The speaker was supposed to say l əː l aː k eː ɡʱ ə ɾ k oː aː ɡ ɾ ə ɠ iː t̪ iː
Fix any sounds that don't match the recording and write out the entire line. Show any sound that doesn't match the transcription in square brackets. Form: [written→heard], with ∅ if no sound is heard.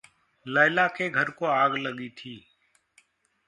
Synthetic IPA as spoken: l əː l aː k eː ɡʱ ə ɾ k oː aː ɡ [ɾ→l] ə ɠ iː [t̪→t̪ʰ] iː

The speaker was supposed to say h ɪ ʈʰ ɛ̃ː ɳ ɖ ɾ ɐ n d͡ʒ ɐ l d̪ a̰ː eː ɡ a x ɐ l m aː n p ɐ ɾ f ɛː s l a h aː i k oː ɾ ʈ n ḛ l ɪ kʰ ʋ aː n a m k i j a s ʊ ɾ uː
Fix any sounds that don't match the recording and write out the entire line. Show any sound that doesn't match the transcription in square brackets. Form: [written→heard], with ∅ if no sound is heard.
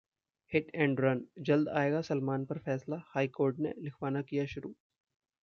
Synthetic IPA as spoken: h ɪ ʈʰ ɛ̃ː ɳ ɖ ɾ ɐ n d͡ʒ ɐ l d̪ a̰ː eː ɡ a [x→s] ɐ l m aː n p ɐ ɾ f ɛː s l a h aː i k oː ɾ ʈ n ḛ l ɪ kʰ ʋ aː n a [m→∅] k i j a [s→ʃ] ʊ ɾ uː

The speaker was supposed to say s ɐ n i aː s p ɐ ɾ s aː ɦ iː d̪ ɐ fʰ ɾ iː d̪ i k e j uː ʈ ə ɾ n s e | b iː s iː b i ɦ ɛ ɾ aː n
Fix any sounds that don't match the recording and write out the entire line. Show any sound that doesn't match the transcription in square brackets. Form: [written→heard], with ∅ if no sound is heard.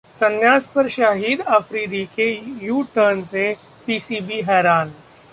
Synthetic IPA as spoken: s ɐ n [i→j] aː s p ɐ ɾ [s→ʃ] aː ɦ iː d̪ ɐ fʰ ɾ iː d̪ i k e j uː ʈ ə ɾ n s e | [b→p] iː s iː b i ɦ [ɛ→ɛː] ɾ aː n

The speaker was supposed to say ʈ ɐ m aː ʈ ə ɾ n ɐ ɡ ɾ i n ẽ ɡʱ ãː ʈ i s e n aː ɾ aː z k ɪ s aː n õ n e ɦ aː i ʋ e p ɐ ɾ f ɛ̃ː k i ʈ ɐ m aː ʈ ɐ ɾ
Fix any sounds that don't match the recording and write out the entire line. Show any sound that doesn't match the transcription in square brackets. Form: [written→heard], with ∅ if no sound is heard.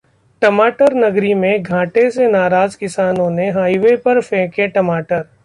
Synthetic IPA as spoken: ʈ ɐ m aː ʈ ə ɾ n ɐ ɡ ɾ i [n→m] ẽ ɡʱ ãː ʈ [i→e] s e n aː ɾ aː z k ɪ s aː n õ n e ɦ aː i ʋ e p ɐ ɾ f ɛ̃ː k [i→e] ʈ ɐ m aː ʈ [ɐ→ə] ɾ

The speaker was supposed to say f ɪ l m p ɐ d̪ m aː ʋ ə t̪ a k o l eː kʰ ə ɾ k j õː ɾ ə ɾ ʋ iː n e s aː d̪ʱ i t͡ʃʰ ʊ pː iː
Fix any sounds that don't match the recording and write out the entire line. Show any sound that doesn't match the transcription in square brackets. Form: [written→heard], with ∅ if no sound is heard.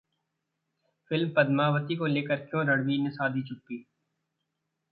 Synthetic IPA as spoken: f ɪ l m p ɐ d̪ m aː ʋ ə t̪ [a→i] k o l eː [kʰ→k] ə ɾ k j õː ɾ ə [ɾ→ɽ] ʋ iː n e s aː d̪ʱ i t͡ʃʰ ʊ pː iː

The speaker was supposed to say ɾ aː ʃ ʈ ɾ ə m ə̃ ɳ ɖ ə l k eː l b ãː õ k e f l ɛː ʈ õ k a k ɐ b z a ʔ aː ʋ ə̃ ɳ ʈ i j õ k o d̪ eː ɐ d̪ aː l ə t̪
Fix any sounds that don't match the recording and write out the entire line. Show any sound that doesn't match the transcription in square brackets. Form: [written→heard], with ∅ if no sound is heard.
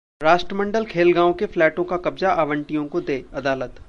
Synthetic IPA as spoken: ɾ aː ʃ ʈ ɾ ə m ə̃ ɳ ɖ ə l [k→kʰ] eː l [b→ɡ] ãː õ k e f l ɛː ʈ õ k a k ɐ b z a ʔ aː ʋ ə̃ ɳ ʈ i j õ k o d̪ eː ɐ d̪ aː l ə t̪

